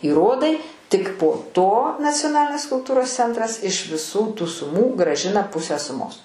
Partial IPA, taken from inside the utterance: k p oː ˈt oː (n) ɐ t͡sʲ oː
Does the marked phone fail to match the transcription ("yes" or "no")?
no